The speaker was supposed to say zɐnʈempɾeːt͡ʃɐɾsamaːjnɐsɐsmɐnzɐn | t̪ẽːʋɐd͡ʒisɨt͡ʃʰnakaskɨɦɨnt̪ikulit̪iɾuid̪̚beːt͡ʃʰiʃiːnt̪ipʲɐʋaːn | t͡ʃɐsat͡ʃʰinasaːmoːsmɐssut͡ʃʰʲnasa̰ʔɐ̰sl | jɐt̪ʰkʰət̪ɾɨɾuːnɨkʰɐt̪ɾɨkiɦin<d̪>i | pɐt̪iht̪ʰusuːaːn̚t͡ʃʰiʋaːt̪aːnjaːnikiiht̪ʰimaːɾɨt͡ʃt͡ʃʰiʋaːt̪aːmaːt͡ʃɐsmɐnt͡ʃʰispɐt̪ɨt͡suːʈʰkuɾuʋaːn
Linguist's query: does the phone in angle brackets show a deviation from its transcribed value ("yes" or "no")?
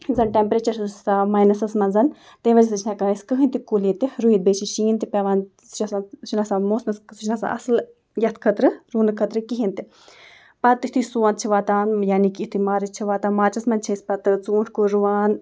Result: yes